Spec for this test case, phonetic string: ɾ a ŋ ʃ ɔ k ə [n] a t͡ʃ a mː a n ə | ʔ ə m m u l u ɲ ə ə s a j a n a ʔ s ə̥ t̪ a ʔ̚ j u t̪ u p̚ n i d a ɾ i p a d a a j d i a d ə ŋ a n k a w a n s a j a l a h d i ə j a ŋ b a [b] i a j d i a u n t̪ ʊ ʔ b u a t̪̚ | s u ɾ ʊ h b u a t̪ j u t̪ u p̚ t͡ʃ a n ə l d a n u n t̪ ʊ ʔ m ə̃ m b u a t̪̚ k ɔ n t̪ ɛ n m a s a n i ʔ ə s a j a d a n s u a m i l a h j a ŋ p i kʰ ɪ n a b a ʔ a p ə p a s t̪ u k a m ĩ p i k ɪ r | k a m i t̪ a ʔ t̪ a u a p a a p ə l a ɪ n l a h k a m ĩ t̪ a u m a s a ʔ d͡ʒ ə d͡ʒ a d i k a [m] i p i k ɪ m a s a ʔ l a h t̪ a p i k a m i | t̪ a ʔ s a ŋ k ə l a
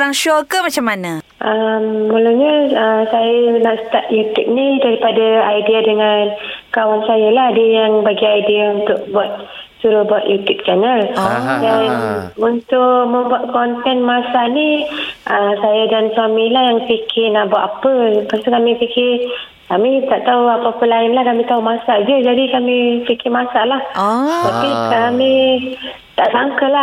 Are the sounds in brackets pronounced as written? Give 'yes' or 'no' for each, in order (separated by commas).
no, no, yes